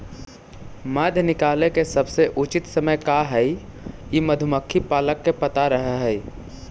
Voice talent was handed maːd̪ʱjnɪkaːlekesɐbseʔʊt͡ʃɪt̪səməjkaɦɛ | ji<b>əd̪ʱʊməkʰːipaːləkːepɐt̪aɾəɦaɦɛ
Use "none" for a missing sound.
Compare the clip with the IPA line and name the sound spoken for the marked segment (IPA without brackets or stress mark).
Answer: m